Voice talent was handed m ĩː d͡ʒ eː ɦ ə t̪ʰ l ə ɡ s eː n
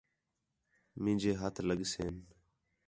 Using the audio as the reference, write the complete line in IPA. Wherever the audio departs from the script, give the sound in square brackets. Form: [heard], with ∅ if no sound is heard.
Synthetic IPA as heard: m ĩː d͡ʒ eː ɦ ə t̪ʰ l ə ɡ s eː n